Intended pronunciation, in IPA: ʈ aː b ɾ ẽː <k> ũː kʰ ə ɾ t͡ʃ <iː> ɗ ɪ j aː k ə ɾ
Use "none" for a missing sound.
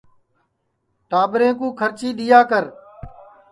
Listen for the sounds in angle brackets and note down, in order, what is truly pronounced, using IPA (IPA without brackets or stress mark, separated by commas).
k, iː